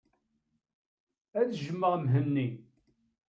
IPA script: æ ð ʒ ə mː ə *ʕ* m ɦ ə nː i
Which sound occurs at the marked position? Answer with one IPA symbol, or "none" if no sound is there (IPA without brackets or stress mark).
ʁ